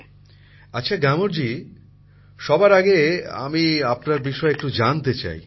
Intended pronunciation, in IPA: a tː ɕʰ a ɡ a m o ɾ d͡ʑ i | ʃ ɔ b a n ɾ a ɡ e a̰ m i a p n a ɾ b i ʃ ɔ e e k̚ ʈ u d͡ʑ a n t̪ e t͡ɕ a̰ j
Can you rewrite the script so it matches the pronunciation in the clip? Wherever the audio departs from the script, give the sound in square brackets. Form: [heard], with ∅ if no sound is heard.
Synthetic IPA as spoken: a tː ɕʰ a ɡ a m o ɾ d͡ʑ i | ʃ ɔ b a [∅] ɾ a ɡ e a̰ m i a p n a ɾ b i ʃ ɔ e e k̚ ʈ u d͡ʑ a n t̪ e t͡ɕ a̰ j